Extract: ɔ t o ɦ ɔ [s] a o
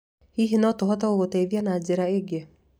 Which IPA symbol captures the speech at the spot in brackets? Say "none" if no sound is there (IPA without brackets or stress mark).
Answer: t